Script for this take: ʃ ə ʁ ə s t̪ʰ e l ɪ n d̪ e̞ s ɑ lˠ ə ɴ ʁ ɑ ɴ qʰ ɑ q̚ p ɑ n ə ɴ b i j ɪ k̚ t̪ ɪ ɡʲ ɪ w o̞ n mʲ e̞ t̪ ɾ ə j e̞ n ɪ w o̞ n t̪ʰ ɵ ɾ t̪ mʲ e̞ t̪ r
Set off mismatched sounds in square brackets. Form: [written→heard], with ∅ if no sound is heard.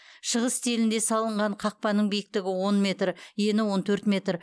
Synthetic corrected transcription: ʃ ə ʁ ə s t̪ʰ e l ɪ n d̪ e̞ s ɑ lˠ ə ɴ ʁ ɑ ɴ qʰ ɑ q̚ p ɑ n ə ɴ b i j ɪ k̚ t̪ ɪ ɡʲ ɪ w o̞ n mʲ e̞ t̪ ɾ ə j e̞ n ɪ w o̞ n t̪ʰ ɵ ɾ t̪ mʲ e̞ t̪ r

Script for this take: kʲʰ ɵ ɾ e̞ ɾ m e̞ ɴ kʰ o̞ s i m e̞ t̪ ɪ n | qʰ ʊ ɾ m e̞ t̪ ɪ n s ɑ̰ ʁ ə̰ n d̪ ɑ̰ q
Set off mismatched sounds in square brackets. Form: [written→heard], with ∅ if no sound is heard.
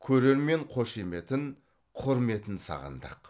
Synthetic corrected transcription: kʲʰ ɵ ɾ e̞ ɾ m e̞ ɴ [kʰ→qʰ] o̞ [s→ʃ] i m e̞ t̪ ɪ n | qʰ ʊ ɾ m e̞ t̪ ɪ n s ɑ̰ ʁ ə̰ n d̪ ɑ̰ q

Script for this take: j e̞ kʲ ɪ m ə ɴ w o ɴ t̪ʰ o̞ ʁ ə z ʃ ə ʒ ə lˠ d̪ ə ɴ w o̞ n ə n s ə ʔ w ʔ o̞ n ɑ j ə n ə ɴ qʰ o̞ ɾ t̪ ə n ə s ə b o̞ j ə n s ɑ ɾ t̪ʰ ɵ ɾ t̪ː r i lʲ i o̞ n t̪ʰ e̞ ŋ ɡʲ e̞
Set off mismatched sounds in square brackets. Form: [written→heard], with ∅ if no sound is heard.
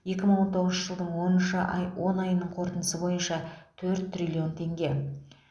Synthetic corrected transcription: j e̞ kʲ ɪ m ə ɴ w o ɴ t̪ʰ o̞ ʁ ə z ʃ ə ʒ ə lˠ d̪ ə ɴ w o̞ n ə n [s→ʃ] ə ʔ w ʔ o̞ n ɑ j ə n ə ɴ qʰ o̞ ɾ t̪ ə n ə s ə b o̞ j ə n [s→ʃ] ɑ [ɾ→∅] t̪ʰ ɵ ɾ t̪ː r i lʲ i o̞ n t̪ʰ e̞ ŋ ɡʲ e̞

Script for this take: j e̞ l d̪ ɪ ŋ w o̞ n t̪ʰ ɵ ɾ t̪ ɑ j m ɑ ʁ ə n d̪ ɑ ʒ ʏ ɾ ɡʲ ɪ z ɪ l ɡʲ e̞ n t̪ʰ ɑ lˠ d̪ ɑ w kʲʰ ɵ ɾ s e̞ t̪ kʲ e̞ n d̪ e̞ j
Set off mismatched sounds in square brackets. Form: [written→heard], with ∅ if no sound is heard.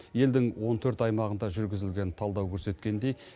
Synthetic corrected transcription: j e̞ l d̪ ɪ ŋ w o̞ n t̪ʰ ɵ ɾ t̪ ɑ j m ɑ ʁ ə n d̪ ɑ ʒ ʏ ɾ ɡʲ ɪ z ɪ l ɡʲ e̞ n t̪ʰ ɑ lˠ d̪ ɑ w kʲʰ ɵ ɾ s e̞ t̪ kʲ e̞ n d̪ e̞ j

